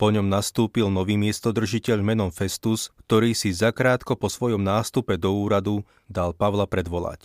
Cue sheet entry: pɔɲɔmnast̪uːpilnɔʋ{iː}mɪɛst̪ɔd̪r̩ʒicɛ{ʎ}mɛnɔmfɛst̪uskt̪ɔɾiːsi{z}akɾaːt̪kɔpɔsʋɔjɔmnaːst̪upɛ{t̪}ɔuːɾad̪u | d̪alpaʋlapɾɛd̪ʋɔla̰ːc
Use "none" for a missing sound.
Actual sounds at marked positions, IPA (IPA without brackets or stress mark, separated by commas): iː, ʎ, z, d̪